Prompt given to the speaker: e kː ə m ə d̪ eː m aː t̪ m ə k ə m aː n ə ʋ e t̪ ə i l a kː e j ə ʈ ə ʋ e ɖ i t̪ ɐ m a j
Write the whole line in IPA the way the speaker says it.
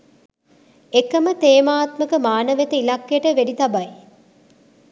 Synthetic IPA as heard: e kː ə m ə t̪ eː m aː t̪ m ə k ə m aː n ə ʋ e t̪ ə i l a kː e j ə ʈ ə ʋ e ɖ i t̪ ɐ b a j

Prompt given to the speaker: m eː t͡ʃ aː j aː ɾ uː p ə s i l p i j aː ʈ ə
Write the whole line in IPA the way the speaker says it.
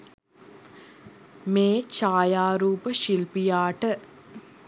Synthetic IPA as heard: m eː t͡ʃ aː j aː ɾ uː p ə ʃ i l p i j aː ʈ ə

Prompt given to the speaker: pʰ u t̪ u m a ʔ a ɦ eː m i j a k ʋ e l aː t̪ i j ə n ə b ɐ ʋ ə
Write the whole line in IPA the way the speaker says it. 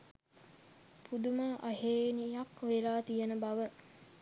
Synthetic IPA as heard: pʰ u d̪ u m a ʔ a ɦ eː n i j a k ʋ e l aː t̪ i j ə n ə b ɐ ʋ ə

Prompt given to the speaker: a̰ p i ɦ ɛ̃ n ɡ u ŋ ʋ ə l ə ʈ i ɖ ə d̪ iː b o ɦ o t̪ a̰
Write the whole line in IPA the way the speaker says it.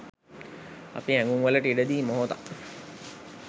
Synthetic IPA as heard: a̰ p i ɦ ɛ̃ ŋ ɡ u ŋ ʋ ə l ə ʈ i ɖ ə d̪ iː m o ɦ o t̪ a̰

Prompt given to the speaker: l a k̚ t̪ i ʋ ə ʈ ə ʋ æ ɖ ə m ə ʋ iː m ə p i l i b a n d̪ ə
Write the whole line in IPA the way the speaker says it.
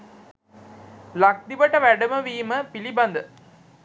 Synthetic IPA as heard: l a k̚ d̪ i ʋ ə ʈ ə ʋ æ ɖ ə m ə ʋ iː m ə p i l i b a n d̪ ə

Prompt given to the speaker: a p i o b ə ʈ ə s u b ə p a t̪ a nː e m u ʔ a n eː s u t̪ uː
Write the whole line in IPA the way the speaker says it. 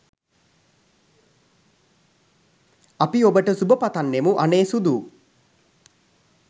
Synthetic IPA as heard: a p i o b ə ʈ ə s u b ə p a t̪ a nː e m u ʔ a n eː s u d̪ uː

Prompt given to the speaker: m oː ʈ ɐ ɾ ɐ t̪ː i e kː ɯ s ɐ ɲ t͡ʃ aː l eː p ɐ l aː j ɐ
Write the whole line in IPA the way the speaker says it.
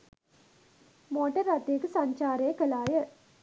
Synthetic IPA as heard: m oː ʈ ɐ ɾ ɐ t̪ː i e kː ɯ s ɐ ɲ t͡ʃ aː ɾ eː k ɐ l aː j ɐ

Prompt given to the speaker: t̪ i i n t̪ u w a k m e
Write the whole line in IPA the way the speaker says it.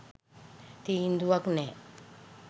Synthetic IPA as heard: t̪ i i n d̪ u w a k n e

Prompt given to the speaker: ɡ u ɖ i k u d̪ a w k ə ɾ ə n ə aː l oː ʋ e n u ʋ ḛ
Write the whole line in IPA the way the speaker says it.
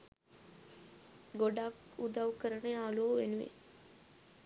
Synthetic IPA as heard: ɡ o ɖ a k u d̪ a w k ə ɾ ə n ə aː l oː ʋ e n u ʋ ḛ

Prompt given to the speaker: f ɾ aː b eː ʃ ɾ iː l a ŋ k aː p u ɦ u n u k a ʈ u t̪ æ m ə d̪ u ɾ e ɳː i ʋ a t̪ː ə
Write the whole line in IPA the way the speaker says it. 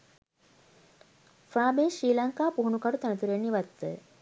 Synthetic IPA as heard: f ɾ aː b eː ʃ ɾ iː l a ŋ k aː p u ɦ u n u k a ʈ u t̪ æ n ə t̪ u ɾ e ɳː i ʋ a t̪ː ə

